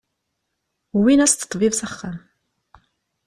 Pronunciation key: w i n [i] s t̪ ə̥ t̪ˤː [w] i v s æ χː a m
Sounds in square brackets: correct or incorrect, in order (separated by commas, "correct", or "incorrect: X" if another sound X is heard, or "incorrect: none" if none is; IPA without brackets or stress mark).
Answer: incorrect: æ, incorrect: v